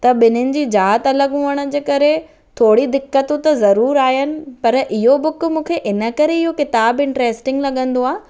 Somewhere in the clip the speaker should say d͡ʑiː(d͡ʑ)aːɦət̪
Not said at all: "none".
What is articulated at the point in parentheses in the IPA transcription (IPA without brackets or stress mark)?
d͡ʑ